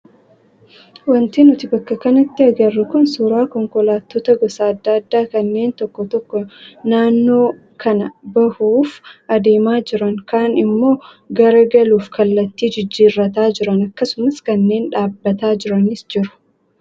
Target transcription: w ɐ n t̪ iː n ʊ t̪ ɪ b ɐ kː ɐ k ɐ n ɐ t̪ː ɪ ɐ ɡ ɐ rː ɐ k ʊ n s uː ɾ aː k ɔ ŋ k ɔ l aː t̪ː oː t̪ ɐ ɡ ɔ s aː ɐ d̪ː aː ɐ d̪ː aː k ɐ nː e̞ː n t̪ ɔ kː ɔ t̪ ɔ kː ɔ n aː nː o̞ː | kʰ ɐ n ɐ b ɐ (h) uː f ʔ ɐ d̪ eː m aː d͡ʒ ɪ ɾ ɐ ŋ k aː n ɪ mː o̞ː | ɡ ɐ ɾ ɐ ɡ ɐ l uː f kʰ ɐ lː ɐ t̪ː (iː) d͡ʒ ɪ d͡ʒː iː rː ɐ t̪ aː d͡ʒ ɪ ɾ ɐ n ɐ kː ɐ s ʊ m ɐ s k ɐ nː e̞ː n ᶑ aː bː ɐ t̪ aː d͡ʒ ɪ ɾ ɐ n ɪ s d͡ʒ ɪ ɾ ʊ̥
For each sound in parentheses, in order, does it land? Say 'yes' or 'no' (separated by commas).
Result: yes, yes